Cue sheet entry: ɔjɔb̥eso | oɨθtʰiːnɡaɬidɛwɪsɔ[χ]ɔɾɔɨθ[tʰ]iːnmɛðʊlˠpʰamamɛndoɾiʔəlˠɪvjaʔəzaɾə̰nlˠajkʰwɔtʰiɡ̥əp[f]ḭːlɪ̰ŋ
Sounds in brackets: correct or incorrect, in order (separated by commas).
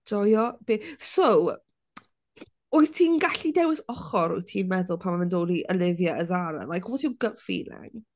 correct, correct, correct